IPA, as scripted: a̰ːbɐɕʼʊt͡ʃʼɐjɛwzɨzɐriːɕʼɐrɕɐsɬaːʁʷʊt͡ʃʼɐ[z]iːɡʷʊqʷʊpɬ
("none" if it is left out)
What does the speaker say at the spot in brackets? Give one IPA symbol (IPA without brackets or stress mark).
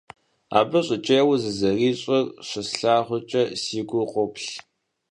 s